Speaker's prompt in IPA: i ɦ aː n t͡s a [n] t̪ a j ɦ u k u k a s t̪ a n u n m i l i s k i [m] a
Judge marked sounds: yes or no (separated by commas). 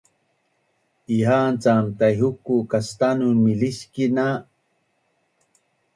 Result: no, no